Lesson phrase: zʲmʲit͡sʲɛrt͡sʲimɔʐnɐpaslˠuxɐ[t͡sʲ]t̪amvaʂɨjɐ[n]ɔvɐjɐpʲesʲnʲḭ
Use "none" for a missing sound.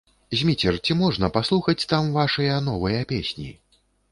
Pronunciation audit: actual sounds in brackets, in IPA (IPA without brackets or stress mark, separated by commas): t͡sʲ, n